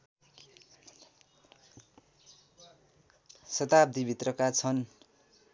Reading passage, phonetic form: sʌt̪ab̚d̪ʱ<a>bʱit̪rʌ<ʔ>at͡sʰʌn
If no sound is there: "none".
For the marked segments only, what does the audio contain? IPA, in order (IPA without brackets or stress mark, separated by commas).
i, k